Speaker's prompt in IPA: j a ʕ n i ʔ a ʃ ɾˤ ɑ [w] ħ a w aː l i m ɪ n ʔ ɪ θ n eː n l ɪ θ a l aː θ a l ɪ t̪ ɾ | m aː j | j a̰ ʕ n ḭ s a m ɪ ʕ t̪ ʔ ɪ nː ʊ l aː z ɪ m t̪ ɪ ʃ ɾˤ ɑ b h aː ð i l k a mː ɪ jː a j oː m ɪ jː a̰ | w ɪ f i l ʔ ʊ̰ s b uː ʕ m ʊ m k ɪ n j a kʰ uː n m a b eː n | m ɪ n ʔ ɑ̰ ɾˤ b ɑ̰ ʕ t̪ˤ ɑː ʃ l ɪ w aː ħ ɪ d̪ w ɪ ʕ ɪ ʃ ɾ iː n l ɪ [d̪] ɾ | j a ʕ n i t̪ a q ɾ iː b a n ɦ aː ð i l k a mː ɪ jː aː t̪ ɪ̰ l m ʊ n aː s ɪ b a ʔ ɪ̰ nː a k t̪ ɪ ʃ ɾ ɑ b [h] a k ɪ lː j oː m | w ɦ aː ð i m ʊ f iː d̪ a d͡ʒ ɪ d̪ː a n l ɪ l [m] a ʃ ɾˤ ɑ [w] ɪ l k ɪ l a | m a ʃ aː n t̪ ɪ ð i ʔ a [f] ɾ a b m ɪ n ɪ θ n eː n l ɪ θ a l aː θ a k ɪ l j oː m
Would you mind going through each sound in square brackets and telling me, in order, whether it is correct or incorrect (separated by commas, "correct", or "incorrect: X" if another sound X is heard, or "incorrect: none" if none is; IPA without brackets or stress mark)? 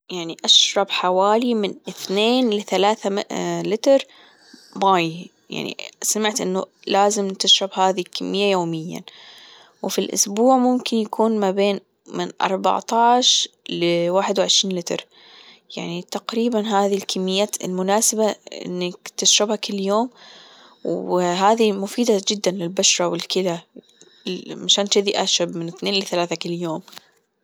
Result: incorrect: b, incorrect: t̪, correct, incorrect: b, correct, incorrect: ʃ